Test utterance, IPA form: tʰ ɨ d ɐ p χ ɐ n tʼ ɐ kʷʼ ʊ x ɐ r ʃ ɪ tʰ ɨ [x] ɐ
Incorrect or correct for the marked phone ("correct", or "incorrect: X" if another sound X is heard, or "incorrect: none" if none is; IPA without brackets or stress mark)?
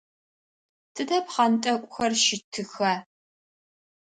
correct